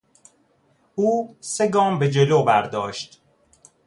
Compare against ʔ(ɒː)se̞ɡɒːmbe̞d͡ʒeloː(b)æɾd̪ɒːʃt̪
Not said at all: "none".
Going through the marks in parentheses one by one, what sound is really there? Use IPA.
uː, b

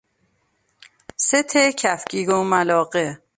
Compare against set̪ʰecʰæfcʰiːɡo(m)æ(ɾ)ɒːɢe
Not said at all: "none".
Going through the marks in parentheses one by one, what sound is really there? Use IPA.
m, l

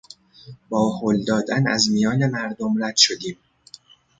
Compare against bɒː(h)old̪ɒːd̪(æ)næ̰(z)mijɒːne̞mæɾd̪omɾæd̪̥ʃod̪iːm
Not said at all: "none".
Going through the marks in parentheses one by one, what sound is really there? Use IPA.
h, æ, z

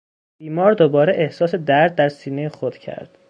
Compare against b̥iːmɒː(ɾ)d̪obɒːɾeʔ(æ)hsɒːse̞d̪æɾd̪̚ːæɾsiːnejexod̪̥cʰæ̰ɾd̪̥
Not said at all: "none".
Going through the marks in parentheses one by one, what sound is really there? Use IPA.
ɾ, e

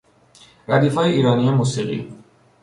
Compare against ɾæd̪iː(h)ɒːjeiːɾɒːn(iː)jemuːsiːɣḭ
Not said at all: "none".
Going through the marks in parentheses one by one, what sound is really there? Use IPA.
f, i

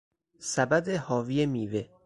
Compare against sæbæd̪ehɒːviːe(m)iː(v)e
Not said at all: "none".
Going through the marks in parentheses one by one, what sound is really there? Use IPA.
m, v

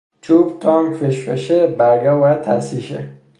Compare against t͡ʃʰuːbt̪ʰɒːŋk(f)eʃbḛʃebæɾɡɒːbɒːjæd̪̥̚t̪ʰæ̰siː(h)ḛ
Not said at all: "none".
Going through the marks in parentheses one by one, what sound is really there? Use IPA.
f, ʃ

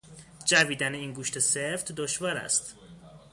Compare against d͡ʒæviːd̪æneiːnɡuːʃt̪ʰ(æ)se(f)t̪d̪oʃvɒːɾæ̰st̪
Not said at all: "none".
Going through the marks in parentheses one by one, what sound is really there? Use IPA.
e, f

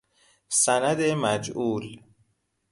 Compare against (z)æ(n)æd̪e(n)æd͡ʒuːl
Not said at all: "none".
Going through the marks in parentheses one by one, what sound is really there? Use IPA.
s, n, m

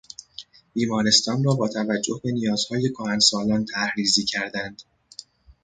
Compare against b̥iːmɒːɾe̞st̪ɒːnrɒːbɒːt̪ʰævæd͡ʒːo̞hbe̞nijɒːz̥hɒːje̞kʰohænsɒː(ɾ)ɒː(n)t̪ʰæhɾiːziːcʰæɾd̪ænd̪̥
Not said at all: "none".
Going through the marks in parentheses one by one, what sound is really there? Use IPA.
l, n

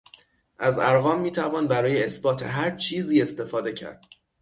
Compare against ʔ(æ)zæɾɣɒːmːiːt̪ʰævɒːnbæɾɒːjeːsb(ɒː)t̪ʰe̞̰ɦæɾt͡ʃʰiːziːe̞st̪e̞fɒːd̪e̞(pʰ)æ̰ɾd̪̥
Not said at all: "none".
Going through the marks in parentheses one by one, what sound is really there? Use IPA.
æ, ɒː, cʰ

